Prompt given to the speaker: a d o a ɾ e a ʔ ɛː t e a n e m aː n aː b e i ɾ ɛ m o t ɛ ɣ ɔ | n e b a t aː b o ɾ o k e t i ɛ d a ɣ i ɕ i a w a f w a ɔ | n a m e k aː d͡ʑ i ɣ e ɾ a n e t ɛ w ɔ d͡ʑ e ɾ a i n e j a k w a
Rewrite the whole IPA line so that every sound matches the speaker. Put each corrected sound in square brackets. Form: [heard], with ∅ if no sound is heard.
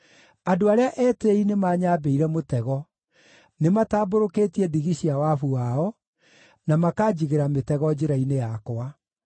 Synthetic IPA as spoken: a d o a ɾ e a ʔ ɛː t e [i] n e m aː [ɲ] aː b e i ɾ ɛ m o t ɛ ɣ ɔ | n e [m] a t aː b o ɾ o k e t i ɛ d [i] ɣ i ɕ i a w a f [u] a ɔ | n a m [a] k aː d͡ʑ i ɣ e ɾ a [m] e t ɛ [ɣ] ɔ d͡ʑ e ɾ a i n e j a k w a